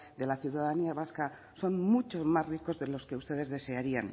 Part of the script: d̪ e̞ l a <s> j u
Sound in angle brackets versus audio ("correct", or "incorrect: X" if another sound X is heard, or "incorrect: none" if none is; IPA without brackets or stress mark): incorrect: θ